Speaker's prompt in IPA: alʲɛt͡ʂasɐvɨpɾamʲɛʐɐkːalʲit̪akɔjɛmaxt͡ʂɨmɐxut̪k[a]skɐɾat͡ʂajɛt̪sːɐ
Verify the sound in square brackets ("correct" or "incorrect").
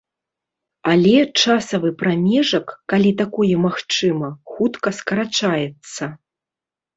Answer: incorrect